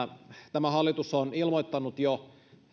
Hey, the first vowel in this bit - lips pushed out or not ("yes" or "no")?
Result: no